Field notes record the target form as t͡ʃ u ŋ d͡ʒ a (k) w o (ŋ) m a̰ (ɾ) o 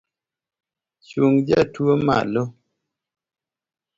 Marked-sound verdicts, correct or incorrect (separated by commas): incorrect, incorrect, incorrect